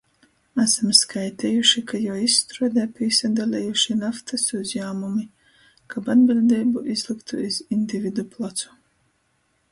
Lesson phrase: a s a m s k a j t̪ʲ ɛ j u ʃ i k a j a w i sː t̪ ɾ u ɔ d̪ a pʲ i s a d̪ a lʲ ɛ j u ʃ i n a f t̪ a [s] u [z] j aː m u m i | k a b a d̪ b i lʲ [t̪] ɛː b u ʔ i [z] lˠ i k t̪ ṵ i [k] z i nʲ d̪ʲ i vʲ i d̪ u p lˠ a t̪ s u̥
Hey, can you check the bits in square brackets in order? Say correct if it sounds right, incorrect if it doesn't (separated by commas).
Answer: correct, correct, incorrect, correct, incorrect